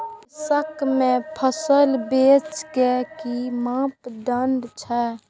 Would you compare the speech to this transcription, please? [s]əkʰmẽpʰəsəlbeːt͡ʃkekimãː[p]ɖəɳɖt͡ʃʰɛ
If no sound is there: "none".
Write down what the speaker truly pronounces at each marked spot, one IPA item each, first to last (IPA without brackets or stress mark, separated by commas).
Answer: s, p